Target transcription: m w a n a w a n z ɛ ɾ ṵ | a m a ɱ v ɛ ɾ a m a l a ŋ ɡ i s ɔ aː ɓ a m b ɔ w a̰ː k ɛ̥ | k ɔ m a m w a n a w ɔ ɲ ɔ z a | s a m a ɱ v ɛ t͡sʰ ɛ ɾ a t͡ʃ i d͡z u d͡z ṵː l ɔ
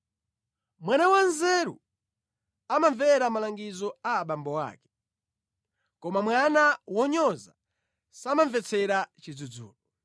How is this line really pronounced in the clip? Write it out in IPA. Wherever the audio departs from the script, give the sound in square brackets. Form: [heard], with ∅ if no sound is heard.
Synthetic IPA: m w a n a w a n z ɛ ɾ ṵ | a m a ɱ v ɛ ɾ a m a l a ŋ ɡ i [z] ɔ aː ɓ a m b ɔ w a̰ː k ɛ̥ | k ɔ m a m w a n a w ɔ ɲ ɔ z a | s a m a ɱ v ɛ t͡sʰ ɛ ɾ a t͡ʃ i d͡z u d͡z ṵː l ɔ